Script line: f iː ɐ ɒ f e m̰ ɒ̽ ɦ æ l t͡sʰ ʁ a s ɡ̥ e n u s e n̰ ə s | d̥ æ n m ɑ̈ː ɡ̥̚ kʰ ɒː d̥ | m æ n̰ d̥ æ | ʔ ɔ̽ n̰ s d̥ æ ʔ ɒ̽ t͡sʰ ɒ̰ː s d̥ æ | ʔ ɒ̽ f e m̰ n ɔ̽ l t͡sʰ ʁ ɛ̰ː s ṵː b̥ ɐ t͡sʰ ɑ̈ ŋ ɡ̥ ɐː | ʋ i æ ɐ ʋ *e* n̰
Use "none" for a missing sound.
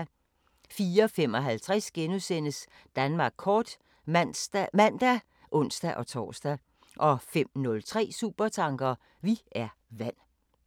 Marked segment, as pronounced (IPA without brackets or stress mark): æ